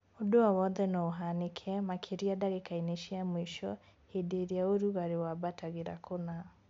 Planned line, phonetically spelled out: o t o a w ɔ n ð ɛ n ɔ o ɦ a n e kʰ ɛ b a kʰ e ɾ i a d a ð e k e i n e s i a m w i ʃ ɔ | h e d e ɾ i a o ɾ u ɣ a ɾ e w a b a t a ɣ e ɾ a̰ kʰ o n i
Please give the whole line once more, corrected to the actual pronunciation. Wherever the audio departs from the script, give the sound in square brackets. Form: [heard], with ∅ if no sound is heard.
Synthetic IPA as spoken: o [d] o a w ɔ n ð ɛ n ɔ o ɦ a n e kʰ ɛ [m] a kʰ e ɾ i a d a [ɣ] e k [a] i n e [ʃ] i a m w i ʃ ɔ | h e d e ɾ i a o ɾ u ɣ a ɾ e w a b a t a ɣ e ɾ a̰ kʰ o n [a]

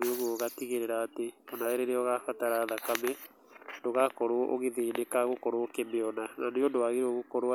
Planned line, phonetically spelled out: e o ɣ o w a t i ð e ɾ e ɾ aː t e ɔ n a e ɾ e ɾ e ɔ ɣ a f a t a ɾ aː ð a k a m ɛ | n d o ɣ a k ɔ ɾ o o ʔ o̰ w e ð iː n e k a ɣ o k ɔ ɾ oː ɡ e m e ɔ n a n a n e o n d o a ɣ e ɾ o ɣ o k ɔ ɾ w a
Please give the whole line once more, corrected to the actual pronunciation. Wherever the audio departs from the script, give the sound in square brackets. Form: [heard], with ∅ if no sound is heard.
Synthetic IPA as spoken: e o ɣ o [ɣ] a t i [ɣ] e ɾ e ɾ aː t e ɔ n a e ɾ e ɾ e ɔ ɣ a f a t a ɾ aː ð a k a m ɛ | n d o ɣ a k ɔ ɾ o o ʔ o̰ [ɣ] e ð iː n e k a ɣ o k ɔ ɾ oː [k] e m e ɔ n a n a n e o n d o a ɣ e ɾ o ɣ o k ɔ ɾ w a

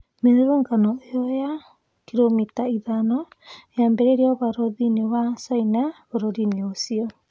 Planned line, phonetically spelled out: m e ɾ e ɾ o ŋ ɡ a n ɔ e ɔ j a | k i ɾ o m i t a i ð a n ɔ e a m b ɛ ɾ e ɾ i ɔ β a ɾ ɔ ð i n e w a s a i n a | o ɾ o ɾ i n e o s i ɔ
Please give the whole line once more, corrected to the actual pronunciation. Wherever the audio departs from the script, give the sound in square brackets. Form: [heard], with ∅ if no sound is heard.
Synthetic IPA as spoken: m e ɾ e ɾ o ŋ ɡ a n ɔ e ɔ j a | k i ɾ o m i t a i ð a n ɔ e a m b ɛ ɾ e ɾ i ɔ β a ɾ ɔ ð i n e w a s a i n a | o ɾ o ɾ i n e o s i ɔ

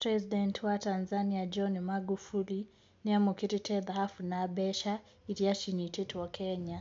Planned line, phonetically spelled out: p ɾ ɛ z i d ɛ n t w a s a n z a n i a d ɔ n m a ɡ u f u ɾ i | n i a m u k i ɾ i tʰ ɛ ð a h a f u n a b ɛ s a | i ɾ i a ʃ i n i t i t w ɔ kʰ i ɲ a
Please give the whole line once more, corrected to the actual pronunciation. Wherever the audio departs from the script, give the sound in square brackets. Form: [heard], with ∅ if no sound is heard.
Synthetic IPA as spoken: p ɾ ɛ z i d ɛ n t w a [t] a n z a n i a [d͡ʒ] ɔ n m a ɡ u f u [l] i | n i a m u k i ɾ i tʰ ɛ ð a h a f u n a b ɛ [ʃ] a | i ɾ i a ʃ i n i t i t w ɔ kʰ [ɛ] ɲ a

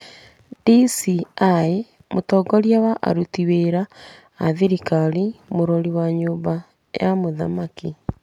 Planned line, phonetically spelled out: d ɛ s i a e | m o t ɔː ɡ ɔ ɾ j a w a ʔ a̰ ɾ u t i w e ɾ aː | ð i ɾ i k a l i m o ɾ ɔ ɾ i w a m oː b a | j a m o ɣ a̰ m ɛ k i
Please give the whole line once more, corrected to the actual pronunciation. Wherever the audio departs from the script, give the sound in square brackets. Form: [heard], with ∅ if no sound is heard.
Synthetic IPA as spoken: d [i] s i a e | m o t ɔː ɡ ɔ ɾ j a w a ʔ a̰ ɾ u t i w e ɾ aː | ð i ɾ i k a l i m o ɾ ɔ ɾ i w a [ɲ] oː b a | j a m o [ð] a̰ m [a] k i

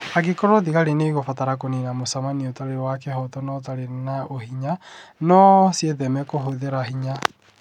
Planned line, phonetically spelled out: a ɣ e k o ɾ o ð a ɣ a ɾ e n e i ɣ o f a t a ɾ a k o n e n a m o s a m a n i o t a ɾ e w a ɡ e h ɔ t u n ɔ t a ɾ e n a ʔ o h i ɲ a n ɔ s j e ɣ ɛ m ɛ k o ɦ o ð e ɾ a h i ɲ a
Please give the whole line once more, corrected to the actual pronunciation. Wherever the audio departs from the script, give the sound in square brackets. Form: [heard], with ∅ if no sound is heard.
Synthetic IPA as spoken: a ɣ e k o ɾ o ð [i] ɣ a ɾ e n e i ɣ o f a t a ɾ a k o n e n a m o s a m a n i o t a ɾ e w a [k] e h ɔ t [ɔ] n ɔ t a ɾ e n a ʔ o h i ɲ a n ɔ s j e [ð] ɛ m ɛ k o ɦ o ð e ɾ a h i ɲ a

